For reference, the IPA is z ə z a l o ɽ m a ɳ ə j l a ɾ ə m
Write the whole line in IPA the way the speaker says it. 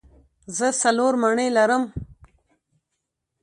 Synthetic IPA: z ə s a l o ɾ m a ɳ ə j l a ɾ ə m